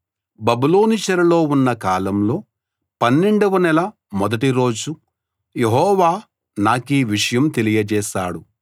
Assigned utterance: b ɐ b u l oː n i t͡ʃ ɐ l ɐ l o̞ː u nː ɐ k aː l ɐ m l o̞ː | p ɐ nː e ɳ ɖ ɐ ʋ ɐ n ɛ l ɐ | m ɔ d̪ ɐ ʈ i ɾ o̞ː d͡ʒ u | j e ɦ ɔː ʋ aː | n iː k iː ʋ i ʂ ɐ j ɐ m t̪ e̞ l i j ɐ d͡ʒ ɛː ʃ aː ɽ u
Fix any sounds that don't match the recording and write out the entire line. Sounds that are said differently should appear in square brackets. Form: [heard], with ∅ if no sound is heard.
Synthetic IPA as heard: b ɐ b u l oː n i t͡ʃ ɐ [ɾ] ɐ l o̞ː u nː ɐ k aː l ɐ m l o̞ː | p ɐ nː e ɳ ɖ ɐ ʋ ɐ n ɛ l ɐ | m ɔ d̪ ɐ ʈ i ɾ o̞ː d͡ʒ u | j e ɦ ɔː ʋ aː | n [aː] k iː ʋ i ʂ ɐ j ɐ m t̪ e̞ l i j ɐ d͡ʒ ɛː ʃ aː ɽ u